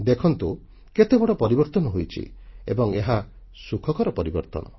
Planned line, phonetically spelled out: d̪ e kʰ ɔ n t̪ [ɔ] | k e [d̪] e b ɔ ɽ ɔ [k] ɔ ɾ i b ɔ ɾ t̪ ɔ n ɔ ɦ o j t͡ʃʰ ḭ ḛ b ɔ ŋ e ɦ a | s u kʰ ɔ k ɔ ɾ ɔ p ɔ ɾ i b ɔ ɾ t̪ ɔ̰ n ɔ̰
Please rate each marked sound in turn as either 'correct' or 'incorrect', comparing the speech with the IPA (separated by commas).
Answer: incorrect, incorrect, incorrect